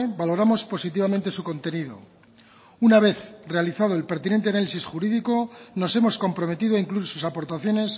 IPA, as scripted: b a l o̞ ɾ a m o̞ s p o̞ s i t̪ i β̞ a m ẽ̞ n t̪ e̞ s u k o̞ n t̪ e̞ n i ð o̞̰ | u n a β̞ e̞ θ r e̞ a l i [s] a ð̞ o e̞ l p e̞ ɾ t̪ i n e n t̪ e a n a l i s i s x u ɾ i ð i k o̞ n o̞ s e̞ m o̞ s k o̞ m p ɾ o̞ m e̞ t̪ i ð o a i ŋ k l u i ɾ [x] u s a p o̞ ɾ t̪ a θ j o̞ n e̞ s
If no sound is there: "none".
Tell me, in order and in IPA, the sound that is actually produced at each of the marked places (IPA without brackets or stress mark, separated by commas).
θ, s